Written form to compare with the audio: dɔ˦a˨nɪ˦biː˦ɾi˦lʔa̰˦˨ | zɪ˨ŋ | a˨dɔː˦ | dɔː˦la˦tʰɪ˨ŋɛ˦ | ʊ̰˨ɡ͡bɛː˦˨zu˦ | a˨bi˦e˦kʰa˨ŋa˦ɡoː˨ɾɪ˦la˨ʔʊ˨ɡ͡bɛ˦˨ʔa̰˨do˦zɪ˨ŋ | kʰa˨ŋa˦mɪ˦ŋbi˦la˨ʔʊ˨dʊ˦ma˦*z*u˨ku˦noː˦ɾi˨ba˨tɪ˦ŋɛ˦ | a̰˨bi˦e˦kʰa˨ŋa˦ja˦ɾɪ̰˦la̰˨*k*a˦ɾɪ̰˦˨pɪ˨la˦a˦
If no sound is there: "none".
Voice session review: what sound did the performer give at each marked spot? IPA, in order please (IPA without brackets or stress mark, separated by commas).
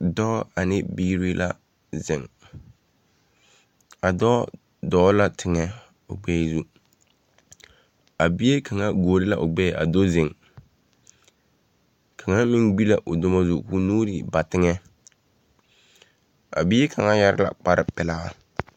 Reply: z, k͡p